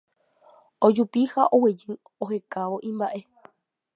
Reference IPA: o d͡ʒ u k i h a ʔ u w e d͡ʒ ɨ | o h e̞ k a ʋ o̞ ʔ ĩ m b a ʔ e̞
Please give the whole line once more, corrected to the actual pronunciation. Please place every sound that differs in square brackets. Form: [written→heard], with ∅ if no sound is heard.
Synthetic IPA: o d͡ʒ u [k→p] i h a ʔ [u→o] w e d͡ʒ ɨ | o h e̞ k a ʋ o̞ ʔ ĩ m b a ʔ e̞